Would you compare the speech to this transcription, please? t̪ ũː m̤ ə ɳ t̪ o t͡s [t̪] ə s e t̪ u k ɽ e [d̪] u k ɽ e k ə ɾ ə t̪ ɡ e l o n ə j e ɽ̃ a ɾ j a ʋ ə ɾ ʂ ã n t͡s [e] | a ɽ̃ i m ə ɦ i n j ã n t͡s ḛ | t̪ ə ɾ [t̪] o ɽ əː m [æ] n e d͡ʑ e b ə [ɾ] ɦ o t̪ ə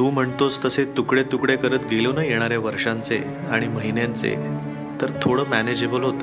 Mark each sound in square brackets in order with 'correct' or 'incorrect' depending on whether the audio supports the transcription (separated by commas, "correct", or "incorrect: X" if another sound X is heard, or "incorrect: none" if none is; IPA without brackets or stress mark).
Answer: correct, incorrect: t̪, correct, incorrect: t̪ʰ, correct, incorrect: l